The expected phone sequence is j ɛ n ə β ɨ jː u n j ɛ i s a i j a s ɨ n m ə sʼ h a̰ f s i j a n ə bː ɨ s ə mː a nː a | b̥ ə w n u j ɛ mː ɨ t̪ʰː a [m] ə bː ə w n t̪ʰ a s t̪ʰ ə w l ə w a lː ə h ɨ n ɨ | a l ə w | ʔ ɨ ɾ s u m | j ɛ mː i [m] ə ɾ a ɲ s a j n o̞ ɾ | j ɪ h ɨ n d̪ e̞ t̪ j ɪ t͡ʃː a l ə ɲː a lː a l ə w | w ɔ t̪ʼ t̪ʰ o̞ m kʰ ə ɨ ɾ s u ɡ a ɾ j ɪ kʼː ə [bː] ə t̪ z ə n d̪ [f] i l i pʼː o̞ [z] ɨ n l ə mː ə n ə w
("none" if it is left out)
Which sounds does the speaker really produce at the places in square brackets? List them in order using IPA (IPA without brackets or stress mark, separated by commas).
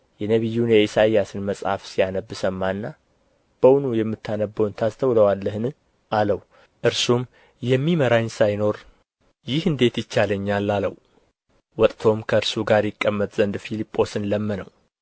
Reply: n, m, mː, f, s